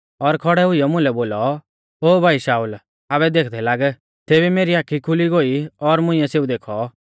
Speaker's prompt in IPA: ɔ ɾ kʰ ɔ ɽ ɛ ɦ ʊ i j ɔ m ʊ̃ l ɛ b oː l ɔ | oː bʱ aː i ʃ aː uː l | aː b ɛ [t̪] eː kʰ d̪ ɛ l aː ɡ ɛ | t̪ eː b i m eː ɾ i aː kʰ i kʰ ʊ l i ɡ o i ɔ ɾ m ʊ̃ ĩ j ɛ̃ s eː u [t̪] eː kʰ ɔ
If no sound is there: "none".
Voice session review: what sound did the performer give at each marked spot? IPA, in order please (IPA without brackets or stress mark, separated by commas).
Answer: d̪, d̪